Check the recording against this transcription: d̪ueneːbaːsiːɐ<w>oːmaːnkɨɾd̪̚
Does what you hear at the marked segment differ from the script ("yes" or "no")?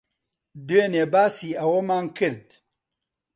no